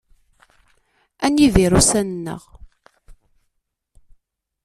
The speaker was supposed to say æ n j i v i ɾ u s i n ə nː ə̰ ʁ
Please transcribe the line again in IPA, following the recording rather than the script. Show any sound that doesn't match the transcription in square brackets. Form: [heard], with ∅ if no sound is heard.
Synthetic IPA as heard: æ n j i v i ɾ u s [æ] n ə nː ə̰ ʁ